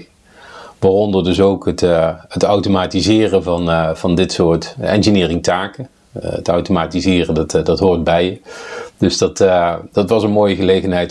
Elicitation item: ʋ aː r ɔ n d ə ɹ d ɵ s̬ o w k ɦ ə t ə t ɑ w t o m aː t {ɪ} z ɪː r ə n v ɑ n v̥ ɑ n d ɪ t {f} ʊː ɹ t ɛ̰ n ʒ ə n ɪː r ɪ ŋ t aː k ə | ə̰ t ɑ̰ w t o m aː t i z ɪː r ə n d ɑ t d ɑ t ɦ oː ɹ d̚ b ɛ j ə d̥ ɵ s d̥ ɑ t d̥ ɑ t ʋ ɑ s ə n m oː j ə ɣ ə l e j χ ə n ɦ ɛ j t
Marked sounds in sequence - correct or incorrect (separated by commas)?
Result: incorrect, incorrect